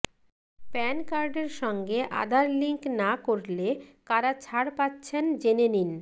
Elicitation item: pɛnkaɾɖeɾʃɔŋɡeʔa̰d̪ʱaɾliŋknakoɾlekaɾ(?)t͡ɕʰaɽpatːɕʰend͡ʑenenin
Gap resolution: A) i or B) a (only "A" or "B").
B